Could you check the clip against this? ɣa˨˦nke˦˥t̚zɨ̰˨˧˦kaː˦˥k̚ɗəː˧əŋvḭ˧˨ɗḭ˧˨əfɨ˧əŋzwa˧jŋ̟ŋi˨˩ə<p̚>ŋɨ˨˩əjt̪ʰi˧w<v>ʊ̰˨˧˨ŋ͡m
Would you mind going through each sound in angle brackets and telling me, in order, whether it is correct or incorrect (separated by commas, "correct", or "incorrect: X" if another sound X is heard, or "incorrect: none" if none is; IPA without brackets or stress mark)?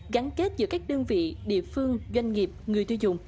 correct, incorrect: z